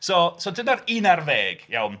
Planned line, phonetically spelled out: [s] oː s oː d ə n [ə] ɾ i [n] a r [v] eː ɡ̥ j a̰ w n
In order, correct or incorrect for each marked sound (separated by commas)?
correct, incorrect, correct, correct